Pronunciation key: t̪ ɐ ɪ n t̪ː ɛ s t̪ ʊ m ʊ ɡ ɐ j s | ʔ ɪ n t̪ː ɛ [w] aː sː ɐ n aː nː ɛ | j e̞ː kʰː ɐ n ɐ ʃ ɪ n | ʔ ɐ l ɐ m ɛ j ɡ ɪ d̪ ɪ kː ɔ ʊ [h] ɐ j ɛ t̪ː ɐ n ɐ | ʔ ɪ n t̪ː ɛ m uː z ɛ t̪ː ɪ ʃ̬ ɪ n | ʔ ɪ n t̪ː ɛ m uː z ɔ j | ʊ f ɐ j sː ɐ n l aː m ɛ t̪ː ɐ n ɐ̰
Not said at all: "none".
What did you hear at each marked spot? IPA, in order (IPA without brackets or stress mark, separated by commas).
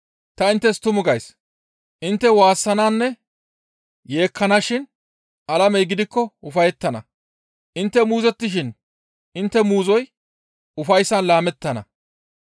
w, f